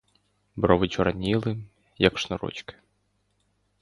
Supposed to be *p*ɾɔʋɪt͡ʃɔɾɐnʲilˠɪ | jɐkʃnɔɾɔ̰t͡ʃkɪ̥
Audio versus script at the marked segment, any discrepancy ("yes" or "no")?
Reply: yes